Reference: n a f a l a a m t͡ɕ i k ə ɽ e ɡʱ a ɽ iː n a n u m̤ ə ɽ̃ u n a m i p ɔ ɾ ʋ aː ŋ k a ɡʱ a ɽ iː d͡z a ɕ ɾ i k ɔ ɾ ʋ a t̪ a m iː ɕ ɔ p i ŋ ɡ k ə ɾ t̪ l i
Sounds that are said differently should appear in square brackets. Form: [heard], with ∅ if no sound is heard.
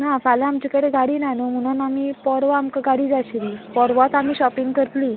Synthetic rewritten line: n a f a l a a m t͡ɕ i k ə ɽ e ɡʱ a ɽ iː n a n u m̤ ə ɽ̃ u n a m i p ɔ ɾ ʋ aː [m] k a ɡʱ a ɽ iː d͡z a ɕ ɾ i [p] ɔ ɾ ʋ a t̪ a m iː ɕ ɔ p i ŋ ɡ k ə ɾ t̪ l i